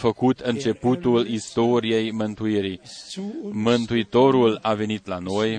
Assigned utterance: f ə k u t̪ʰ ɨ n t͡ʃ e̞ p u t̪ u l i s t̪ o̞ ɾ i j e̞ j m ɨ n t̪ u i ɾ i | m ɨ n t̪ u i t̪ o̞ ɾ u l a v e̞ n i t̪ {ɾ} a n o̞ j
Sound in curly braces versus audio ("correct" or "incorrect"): incorrect